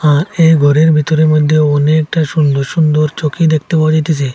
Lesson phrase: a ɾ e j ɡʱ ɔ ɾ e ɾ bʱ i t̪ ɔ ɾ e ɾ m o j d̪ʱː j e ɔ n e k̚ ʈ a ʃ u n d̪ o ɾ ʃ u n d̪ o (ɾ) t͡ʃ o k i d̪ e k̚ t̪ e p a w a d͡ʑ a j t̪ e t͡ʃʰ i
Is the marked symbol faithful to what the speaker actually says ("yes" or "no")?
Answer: yes